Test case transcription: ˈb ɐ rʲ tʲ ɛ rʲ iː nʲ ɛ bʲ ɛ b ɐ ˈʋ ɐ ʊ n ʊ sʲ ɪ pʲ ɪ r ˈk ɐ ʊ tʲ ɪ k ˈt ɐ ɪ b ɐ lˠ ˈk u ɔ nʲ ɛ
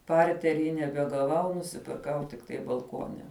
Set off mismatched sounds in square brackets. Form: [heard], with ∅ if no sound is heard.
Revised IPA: [ˈp] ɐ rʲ tʲ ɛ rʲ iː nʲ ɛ bʲ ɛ [ɡ] ɐ ˈʋ ɐ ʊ n ʊ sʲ ɪ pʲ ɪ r ˈk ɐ ʊ tʲ ɪ k ˈt ɐ ɪ b ɐ lˠ ˈk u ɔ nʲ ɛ